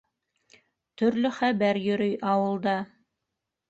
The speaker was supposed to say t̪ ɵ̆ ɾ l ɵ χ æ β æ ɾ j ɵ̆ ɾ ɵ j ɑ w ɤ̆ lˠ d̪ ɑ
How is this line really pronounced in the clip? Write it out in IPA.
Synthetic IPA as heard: t̪ ɵ̆ ɾ l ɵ χ æ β æ ɾ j ɵ̆ ɾ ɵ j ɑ w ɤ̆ lˠ d̪ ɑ